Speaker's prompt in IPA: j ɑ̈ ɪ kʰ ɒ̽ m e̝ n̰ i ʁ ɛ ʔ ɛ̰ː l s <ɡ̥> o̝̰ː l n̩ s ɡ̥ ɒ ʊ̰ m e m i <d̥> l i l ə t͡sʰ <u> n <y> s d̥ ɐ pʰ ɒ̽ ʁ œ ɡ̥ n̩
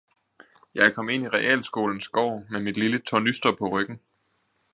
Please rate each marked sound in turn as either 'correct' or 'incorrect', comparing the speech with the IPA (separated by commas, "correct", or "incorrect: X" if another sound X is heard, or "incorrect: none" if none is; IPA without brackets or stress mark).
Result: correct, correct, incorrect: ɒ, correct